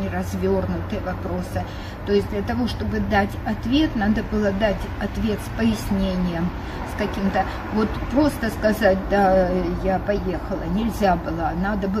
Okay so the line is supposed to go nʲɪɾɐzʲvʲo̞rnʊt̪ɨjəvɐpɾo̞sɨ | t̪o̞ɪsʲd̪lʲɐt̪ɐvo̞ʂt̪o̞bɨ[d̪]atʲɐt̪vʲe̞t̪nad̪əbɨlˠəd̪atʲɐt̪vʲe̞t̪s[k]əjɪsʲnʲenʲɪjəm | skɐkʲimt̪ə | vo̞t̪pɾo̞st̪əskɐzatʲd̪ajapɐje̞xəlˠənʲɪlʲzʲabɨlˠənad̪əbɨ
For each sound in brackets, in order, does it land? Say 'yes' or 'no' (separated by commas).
yes, no